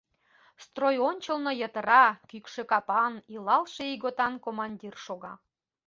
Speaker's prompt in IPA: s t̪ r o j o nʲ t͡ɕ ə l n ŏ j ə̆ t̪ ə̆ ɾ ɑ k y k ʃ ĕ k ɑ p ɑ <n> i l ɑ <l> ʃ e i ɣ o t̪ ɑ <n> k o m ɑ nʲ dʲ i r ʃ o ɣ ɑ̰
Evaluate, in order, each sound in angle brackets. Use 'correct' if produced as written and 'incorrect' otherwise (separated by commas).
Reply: correct, correct, correct